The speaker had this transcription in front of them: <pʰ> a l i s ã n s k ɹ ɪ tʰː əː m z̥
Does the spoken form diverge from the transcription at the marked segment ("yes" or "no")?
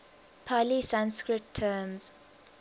no